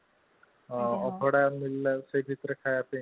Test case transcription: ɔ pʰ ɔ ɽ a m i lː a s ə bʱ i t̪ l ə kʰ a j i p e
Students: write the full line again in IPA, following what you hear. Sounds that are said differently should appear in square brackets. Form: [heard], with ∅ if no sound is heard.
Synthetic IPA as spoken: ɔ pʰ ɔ ɽ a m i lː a s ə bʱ i t̪ [ɾ] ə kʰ a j [a] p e